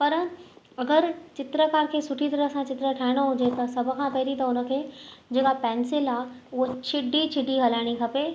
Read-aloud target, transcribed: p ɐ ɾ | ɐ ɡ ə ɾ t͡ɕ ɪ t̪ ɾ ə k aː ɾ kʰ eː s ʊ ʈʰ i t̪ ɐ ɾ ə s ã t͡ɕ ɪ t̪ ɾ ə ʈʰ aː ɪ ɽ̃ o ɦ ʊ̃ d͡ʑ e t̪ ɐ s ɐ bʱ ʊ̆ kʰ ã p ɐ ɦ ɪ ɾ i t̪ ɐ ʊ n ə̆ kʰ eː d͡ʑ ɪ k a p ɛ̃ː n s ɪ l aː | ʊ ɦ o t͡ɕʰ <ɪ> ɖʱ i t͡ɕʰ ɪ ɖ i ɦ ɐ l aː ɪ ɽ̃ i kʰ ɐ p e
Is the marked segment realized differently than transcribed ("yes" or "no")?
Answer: no